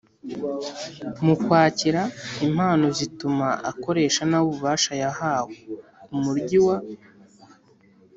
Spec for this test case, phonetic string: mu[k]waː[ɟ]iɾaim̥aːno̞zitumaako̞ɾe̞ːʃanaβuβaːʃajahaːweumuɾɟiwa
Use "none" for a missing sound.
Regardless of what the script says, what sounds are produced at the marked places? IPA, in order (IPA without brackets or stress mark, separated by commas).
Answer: k, c